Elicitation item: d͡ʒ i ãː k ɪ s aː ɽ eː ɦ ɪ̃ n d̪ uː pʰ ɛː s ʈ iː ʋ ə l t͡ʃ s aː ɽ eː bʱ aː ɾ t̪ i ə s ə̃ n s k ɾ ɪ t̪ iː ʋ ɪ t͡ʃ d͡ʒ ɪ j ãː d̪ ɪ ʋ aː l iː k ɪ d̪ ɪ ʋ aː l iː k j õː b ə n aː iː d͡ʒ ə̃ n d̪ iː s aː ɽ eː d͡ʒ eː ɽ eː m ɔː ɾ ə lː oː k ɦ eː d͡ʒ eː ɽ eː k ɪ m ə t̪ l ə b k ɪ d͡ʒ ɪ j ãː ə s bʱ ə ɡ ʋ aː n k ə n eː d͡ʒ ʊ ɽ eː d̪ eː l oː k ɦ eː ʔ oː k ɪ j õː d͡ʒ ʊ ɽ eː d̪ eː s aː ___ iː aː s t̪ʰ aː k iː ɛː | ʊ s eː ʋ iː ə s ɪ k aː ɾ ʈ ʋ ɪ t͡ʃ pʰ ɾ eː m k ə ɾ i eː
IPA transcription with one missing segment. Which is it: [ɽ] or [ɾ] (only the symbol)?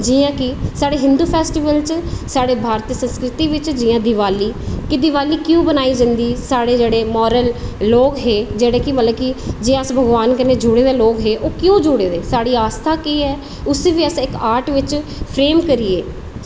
ɽ